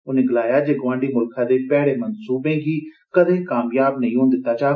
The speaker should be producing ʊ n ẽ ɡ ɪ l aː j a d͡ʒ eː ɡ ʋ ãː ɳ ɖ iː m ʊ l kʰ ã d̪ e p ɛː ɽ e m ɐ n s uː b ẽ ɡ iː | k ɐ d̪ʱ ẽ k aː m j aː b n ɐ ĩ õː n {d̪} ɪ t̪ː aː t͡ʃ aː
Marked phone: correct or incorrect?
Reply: correct